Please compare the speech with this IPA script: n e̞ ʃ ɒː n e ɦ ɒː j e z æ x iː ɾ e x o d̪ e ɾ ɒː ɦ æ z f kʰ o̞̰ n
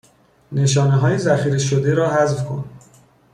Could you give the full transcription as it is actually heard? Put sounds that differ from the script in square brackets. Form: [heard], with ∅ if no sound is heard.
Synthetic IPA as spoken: n e̞ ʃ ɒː n e ɦ ɒː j e z æ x iː ɾ e [ʃ] o d̪ e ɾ ɒː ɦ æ z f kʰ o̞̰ n